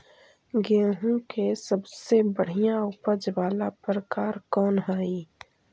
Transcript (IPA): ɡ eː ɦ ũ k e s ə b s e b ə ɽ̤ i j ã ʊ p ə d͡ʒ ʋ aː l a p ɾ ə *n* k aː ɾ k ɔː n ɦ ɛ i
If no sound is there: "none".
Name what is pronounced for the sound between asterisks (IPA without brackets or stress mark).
none